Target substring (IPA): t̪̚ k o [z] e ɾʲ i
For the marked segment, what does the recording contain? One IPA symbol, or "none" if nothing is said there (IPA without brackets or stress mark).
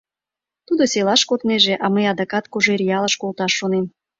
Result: ʒ